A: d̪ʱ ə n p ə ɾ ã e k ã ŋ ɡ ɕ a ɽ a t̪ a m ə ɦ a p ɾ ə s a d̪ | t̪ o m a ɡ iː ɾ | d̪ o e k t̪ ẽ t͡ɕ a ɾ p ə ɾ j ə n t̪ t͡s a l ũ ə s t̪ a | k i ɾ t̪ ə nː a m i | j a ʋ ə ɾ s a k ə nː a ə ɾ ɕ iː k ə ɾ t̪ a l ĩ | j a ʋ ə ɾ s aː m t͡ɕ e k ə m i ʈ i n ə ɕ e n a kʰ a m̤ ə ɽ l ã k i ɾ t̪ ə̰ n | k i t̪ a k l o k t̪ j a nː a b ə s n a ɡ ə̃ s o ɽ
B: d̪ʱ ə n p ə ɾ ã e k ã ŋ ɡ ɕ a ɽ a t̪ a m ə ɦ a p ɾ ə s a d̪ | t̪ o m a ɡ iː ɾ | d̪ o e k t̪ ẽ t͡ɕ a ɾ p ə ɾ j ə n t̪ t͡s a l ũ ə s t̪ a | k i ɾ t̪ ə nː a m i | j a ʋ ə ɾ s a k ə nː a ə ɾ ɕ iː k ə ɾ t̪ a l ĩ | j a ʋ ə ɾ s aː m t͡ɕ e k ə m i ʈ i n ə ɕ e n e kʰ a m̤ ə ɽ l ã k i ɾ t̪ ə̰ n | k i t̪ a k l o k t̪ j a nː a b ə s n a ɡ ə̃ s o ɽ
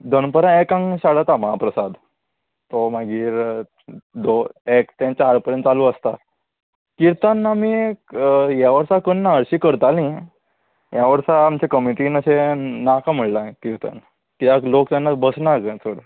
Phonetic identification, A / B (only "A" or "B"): A